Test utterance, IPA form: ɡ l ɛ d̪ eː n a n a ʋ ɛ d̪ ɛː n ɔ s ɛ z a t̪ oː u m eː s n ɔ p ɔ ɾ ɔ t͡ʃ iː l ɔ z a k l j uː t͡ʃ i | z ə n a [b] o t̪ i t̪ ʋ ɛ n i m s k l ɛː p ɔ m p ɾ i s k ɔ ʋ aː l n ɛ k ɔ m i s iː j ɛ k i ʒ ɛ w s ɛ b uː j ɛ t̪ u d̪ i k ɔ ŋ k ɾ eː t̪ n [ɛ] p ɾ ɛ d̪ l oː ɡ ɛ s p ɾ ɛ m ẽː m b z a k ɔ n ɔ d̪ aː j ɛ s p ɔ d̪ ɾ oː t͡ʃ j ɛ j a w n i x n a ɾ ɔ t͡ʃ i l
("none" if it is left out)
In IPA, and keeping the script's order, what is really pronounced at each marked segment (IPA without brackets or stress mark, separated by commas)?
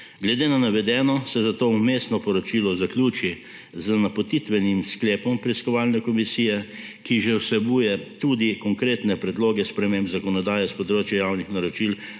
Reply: p, ɛ